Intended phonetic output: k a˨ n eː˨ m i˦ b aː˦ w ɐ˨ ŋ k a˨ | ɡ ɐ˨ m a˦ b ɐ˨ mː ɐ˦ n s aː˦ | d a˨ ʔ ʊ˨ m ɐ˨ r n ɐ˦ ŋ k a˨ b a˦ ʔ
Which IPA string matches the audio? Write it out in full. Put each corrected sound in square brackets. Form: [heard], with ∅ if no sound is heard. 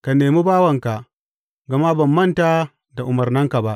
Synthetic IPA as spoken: k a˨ n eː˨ m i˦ b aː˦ w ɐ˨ ŋ k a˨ | ɡ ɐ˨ m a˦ b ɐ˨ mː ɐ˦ n [t] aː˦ | d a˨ ʔ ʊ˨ m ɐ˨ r n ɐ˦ ŋ k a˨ b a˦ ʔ